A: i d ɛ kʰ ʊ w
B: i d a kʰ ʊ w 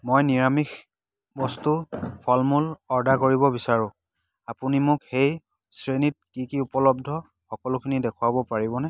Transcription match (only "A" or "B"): A